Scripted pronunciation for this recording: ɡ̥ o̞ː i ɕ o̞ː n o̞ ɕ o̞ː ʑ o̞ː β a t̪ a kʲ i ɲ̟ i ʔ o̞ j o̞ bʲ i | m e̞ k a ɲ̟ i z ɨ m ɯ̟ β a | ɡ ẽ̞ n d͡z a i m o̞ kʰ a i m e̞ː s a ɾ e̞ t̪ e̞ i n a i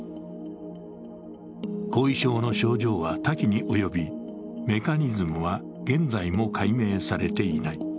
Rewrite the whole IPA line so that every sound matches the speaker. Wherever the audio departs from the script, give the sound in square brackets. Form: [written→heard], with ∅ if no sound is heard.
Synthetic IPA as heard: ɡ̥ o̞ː i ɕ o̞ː n o̞ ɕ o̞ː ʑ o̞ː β a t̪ a kʲ i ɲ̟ i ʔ o̞ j o̞ bʲ i | m e̞ k a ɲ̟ i z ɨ m ɯ̟ β a | ɡ ẽ̞ n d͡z a i m o̞ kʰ a i m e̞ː s a ɾ e̞ t̪ e̞ i n a i